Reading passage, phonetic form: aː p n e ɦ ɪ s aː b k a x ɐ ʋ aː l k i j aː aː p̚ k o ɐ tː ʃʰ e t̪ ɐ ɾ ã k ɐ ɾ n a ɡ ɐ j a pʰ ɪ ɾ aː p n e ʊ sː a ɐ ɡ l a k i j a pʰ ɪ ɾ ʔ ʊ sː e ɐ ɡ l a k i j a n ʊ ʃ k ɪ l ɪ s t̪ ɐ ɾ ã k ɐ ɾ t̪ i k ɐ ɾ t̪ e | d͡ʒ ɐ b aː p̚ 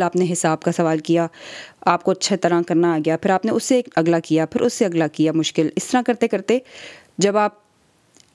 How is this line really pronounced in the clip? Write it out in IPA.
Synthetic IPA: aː p n e ɦ ɪ s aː b k a s ɐ ʋ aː l k i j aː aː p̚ k o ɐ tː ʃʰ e t̪ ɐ ɾ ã k ɐ ɾ n a ɡ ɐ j a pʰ ɪ ɾ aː p n e ʊ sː e ɐ ɡ l a k i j a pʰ ɪ ɾ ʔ ʊ sː e ɐ ɡ l a k i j a m ʊ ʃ k ɪ l ɪ s t̪ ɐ ɾ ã k ɐ ɾ t̪ e k ɐ ɾ t̪ e | d͡ʒ ɐ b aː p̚